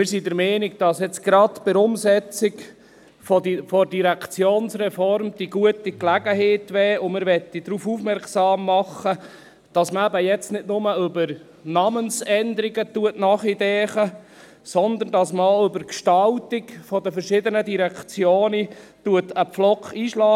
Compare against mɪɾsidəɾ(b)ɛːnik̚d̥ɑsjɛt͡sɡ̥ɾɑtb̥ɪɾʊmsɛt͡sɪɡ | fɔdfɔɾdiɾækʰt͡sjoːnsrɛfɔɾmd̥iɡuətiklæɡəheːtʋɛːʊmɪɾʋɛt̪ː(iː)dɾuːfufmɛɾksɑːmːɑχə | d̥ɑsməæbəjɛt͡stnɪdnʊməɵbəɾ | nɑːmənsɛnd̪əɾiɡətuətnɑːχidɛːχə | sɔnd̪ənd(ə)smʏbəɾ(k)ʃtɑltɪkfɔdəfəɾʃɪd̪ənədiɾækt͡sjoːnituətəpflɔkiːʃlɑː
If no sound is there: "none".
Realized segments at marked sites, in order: m, i, ɑ, k

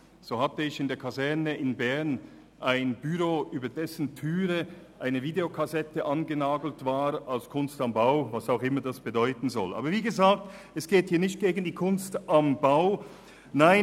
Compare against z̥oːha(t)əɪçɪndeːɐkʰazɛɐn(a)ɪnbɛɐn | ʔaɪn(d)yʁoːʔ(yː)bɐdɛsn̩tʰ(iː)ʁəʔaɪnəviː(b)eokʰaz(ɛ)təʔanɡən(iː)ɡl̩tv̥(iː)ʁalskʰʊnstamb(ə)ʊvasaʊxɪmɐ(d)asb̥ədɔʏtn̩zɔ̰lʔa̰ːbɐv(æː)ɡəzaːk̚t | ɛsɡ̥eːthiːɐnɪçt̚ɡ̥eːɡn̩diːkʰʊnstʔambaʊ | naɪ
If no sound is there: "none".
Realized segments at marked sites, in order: t, ə, b, yː, yː, d, ɛ, aː, aː, a, d, iː

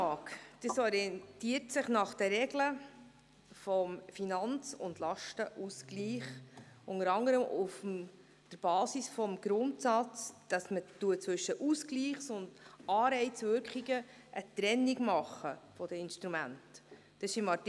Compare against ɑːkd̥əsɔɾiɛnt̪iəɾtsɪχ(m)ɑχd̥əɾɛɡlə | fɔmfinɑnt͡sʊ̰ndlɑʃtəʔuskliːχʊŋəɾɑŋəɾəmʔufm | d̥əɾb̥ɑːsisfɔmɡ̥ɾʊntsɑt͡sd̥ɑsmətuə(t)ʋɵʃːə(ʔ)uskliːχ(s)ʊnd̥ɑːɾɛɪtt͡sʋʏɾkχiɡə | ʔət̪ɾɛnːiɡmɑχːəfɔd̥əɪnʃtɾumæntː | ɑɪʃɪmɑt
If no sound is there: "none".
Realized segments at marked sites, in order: n, t͡s, ʔ, s

